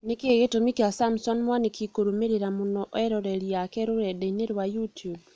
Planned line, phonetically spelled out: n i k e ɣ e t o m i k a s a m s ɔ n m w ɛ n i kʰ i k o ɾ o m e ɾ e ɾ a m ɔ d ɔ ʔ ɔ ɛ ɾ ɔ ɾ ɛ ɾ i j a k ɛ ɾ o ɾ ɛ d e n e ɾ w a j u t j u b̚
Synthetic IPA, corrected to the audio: n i k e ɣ e t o m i k a s a m s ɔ n m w a n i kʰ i k o ɾ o m e ɾ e ɾ a m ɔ n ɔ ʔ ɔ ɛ ɾ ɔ ɾ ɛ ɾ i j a k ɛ ɾ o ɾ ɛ d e n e ɾ w a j u t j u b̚